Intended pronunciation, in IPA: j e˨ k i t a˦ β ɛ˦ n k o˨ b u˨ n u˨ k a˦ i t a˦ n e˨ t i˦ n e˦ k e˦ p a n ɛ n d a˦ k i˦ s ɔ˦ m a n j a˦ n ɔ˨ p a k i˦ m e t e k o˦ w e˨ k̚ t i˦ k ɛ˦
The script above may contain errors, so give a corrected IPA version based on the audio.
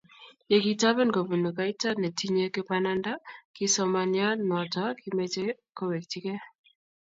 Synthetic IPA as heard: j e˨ k i t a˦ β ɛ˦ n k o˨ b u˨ n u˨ k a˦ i t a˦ n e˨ t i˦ ɲ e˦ k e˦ p a n a n d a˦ k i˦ s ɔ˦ m a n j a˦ n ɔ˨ t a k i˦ m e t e k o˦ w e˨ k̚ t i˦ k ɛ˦

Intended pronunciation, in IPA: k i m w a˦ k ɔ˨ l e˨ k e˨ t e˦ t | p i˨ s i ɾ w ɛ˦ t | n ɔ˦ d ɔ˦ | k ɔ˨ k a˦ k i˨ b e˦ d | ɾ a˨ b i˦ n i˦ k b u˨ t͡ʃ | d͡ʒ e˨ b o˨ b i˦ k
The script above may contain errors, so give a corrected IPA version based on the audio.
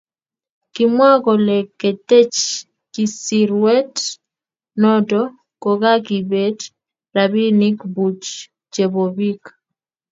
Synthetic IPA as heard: k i m w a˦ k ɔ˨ l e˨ k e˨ t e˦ t͡ʃ | k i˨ s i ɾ w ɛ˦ t | n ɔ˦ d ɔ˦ | k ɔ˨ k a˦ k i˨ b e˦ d | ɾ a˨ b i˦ n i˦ k b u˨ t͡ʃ | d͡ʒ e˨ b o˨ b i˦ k

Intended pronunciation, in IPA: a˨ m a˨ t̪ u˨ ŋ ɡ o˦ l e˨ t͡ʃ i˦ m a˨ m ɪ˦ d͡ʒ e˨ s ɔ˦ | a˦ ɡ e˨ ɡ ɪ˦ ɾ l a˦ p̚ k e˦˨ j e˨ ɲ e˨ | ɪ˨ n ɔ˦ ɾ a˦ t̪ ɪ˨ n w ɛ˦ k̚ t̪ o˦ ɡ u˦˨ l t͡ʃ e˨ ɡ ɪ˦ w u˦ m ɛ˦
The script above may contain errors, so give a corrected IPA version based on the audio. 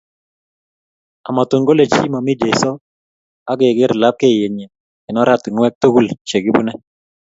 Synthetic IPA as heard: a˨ m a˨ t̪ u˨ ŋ ɡ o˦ l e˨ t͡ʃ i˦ m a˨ m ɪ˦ d͡ʒ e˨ s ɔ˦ | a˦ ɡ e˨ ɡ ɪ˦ ɾ l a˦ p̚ k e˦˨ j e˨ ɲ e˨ | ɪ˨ n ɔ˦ ɾ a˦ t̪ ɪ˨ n w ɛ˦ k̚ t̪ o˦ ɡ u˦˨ l t͡ʃ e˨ ɡ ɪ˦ b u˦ n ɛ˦

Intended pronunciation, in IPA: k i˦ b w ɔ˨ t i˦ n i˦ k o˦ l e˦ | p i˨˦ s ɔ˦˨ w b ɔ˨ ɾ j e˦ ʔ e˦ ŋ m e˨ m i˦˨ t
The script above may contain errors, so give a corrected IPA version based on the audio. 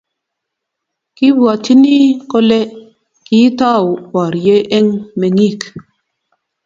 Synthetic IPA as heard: k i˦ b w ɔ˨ t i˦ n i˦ k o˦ l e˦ | k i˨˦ t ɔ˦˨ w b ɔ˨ ɾ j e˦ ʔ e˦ ŋ m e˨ ŋ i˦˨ k

